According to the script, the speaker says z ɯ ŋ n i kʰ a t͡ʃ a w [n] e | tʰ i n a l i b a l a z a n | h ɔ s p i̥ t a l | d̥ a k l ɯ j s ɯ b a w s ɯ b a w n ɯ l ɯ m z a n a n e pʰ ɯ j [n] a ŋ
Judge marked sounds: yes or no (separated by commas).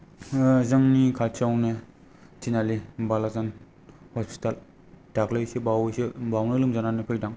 yes, no